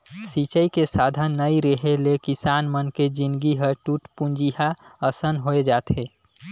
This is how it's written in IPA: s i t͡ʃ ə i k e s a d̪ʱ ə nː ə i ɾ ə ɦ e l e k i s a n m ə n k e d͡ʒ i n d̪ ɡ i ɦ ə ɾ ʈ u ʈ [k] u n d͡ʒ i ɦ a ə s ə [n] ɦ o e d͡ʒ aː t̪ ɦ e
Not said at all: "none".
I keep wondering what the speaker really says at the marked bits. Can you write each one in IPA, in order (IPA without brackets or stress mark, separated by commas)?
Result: p, n